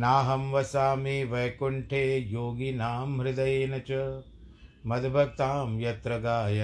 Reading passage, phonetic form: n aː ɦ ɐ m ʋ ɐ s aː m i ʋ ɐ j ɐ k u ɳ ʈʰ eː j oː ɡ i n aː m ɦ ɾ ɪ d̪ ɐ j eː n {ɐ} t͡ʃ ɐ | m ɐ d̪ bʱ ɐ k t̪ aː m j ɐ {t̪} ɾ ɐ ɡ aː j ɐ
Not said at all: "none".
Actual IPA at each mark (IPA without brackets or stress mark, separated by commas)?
ɐ, t̪